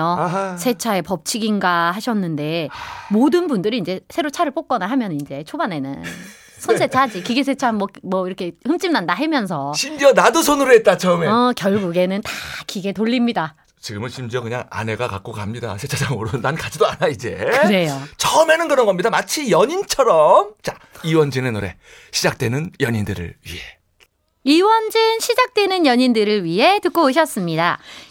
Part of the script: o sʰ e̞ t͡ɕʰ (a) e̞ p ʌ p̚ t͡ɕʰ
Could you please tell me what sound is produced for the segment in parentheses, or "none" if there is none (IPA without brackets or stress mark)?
a